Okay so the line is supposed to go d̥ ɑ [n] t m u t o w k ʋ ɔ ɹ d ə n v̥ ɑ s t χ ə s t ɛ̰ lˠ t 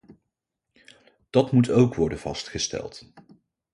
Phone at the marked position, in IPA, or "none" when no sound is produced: none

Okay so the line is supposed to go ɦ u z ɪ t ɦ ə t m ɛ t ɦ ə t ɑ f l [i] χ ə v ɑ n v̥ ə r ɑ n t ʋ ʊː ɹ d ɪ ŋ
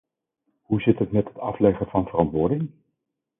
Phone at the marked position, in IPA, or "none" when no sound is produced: ɛ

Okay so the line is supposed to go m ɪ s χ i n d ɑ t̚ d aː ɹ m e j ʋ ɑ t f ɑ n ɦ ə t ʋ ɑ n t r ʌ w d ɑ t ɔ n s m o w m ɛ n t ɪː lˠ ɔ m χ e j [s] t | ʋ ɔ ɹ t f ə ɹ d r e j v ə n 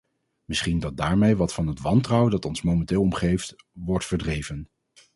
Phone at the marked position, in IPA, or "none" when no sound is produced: f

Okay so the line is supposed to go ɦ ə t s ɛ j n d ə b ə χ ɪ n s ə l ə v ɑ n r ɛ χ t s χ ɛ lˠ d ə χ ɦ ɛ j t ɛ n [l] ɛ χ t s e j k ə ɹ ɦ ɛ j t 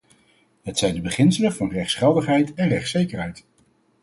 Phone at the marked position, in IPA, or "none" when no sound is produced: r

